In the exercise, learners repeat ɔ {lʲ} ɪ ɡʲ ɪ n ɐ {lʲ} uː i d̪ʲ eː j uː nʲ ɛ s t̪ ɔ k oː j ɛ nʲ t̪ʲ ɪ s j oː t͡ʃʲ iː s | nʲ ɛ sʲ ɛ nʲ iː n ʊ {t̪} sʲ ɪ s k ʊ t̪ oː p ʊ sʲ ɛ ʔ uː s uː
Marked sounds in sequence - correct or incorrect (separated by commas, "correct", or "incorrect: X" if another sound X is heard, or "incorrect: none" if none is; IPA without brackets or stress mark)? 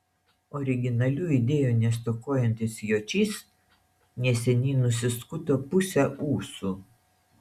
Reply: incorrect: ɾʲ, correct, incorrect: none